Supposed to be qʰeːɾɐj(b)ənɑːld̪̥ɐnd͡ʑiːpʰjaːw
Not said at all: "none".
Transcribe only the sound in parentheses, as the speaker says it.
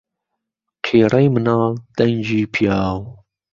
m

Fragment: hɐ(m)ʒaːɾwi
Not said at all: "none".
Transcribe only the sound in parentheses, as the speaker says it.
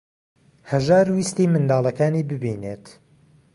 none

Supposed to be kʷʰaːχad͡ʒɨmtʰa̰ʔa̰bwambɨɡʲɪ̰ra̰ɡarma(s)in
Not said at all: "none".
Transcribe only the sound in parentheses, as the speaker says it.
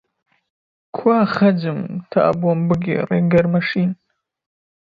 ʂ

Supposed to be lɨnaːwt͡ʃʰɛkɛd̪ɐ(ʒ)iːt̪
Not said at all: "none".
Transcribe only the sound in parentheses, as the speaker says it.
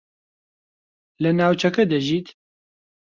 ʒ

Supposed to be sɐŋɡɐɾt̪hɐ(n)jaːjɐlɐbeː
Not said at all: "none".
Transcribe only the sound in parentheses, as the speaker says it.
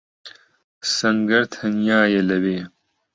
n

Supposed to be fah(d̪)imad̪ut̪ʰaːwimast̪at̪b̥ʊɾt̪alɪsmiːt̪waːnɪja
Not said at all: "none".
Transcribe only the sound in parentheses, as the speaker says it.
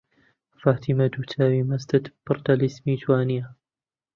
t̪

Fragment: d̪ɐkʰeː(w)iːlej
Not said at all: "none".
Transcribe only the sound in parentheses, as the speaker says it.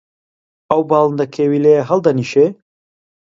w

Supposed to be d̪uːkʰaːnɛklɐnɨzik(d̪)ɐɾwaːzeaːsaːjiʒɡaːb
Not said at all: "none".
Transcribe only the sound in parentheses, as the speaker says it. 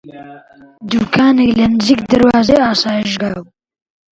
d̪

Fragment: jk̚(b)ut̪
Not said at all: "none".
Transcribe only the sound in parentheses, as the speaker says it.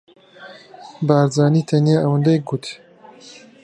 ɡ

